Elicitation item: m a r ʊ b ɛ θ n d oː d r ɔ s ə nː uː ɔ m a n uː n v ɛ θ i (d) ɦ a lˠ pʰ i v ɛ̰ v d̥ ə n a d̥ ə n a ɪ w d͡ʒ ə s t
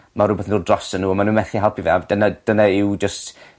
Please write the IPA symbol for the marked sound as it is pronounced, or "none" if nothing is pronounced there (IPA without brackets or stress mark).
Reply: none